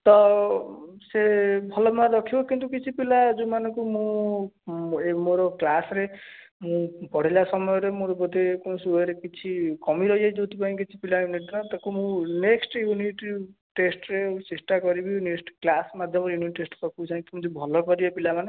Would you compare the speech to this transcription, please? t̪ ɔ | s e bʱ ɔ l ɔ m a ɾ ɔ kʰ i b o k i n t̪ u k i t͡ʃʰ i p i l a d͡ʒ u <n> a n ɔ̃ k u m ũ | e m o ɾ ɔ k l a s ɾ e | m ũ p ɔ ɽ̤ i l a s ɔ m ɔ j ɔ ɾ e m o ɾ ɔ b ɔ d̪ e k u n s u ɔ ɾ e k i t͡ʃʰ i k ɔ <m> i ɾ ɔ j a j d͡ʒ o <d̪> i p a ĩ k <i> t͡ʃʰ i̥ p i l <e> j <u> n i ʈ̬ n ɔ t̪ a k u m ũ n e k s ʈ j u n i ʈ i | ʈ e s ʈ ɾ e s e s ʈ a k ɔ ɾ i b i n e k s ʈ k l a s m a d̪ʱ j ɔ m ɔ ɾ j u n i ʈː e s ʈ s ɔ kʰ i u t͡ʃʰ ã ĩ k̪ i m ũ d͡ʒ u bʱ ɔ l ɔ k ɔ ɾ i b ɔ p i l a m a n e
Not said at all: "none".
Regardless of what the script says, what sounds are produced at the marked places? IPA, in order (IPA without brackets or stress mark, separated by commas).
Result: m, m, t̪, i, a, u